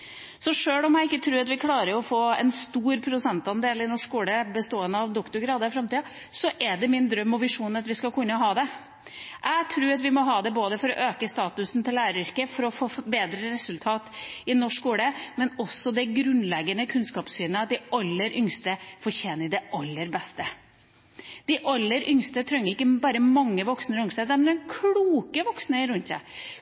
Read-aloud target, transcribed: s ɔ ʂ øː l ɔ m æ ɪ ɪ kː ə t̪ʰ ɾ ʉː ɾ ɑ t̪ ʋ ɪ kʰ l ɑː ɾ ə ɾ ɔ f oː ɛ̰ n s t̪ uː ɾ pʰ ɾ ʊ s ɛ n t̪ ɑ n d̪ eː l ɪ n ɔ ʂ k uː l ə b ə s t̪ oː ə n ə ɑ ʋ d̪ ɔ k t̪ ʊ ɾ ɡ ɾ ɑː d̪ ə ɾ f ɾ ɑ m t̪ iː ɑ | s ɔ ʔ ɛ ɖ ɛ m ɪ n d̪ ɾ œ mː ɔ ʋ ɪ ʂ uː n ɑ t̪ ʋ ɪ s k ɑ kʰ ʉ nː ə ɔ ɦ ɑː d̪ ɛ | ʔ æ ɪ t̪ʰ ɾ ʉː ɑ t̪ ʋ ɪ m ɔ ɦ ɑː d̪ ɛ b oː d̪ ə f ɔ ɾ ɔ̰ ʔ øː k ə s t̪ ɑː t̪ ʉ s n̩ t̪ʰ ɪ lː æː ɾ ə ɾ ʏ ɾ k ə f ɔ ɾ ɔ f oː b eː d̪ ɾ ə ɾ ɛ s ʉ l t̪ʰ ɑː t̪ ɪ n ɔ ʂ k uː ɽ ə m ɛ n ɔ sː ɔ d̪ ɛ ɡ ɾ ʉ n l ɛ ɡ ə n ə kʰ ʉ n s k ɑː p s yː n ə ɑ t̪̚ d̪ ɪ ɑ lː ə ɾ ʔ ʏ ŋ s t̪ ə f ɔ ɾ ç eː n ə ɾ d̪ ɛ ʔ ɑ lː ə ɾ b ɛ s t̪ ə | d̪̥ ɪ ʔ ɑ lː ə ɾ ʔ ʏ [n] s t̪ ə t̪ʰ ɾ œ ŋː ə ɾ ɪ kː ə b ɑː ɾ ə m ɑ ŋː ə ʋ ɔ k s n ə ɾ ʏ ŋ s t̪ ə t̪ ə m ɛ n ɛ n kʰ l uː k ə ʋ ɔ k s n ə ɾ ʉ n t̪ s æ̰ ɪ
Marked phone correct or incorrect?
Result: incorrect